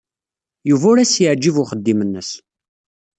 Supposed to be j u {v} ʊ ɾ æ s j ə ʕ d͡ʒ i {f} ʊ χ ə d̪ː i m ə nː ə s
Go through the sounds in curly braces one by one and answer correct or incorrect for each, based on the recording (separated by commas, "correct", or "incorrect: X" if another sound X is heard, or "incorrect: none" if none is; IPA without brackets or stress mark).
correct, incorrect: v